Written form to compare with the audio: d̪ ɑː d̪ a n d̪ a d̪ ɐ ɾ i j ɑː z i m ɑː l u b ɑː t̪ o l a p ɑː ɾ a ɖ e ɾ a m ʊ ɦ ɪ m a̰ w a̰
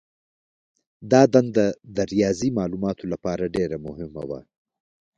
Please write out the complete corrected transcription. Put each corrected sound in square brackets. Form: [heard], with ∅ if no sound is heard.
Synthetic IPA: d̪ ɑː d̪ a n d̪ a d̪ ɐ ɾ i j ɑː z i m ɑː l u [m] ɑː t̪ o l a p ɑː ɾ a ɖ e ɾ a m ʊ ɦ ɪ m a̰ w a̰